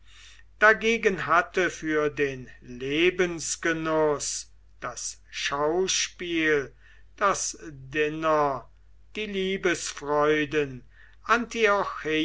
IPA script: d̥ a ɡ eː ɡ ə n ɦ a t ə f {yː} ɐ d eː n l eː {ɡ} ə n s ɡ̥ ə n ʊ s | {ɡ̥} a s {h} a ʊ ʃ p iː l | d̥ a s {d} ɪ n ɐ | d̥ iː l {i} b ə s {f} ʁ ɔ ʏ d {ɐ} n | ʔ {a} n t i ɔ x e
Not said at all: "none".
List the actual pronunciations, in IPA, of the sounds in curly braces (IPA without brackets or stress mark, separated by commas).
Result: yː, b, d̥, ʃ, d, iː, f, ə, a